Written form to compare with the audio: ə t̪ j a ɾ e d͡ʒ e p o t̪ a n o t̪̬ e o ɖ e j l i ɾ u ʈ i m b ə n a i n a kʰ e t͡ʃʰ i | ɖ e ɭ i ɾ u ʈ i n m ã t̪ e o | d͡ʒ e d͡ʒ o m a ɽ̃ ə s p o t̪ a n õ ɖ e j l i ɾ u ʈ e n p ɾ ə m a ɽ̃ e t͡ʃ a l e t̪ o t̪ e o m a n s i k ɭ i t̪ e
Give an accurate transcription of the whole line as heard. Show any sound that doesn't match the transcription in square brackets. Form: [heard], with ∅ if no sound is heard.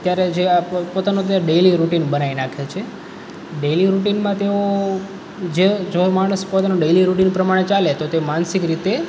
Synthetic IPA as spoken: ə t̪ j a ɾ e d͡ʒ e p o t̪ a n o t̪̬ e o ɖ e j l i ɾ u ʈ i [n] b ə n a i n a kʰ e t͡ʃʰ [e] | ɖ e [l] i ɾ u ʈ i n m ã t̪ e o | d͡ʒ e d͡ʒ o m a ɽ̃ ə s p o t̪ a n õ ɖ e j l i ɾ u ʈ [i] n p ɾ ə m a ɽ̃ e t͡ʃ a l e t̪ o t̪ e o m a n s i k [ɾ] i t̪ e